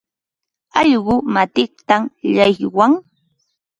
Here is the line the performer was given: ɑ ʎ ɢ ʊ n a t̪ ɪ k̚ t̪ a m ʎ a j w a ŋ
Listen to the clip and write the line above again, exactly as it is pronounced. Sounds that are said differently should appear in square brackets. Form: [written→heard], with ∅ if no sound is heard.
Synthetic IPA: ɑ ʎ ɢ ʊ [n→m] a t̪ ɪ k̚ t̪ a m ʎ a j w a ŋ